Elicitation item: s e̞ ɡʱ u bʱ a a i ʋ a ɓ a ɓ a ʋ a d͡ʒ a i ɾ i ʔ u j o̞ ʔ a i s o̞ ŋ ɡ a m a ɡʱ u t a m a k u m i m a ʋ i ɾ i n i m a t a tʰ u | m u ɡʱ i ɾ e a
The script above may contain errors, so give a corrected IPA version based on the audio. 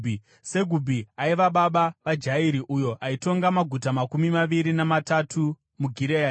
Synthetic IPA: s e̞ ɡʱ u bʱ i a i ʋ a ɓ a ɓ a ʋ a d͡ʒ a i ɾ i ʔ u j o̞ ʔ a i t o̞ ŋ ɡ a m a ɡʱ u t a m a k u m i m a ʋ i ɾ i n a m a t a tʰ u | m u ɡʱ i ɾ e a